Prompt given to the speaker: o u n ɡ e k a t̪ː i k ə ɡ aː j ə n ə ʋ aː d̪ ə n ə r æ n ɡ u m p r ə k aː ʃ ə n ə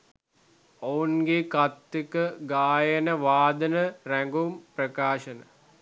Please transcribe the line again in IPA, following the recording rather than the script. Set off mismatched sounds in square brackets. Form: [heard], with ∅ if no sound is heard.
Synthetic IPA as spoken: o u n ɡ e k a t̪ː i k ə ɡ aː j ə n ə ʋ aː d̪ ə n ə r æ [ŋ] ɡ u m p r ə k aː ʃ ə n ə